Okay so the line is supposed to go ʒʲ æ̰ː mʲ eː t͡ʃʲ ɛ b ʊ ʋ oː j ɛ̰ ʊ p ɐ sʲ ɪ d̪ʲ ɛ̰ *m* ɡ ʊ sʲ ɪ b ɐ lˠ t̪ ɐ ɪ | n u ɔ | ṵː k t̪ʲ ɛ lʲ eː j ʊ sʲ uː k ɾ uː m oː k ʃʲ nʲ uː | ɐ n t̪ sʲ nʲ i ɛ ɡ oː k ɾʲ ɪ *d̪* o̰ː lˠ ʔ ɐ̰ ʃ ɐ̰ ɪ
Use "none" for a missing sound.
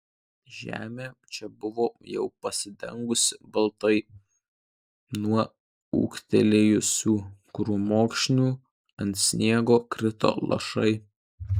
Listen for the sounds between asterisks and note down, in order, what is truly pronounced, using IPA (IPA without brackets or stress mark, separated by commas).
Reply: ŋ, t̪